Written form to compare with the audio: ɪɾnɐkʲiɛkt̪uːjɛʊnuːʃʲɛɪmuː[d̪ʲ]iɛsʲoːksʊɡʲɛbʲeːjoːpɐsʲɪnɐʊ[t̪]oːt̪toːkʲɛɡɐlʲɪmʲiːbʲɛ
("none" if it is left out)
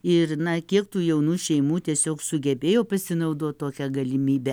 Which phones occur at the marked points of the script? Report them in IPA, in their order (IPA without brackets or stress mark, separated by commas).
t̪ʲ, d̪